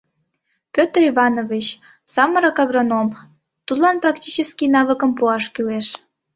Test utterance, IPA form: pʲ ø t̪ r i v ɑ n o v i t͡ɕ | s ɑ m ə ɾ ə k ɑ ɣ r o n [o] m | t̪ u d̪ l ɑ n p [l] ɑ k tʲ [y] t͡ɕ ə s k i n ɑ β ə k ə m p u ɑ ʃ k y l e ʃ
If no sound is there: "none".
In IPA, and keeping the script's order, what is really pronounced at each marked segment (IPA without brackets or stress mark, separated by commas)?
o, r, i